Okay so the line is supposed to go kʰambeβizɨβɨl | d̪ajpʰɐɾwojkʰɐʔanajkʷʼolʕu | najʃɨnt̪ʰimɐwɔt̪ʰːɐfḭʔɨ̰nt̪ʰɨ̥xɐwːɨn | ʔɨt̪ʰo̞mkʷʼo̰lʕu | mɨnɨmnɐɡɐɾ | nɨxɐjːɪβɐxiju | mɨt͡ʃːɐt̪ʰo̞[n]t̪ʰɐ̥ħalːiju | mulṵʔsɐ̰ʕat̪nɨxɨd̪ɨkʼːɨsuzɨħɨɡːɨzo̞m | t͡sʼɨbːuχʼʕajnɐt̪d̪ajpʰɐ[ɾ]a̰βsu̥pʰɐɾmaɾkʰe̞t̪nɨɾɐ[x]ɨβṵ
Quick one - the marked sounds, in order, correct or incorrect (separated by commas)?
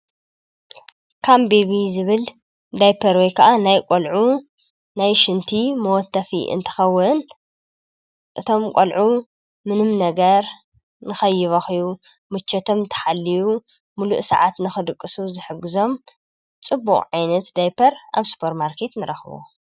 incorrect, correct, correct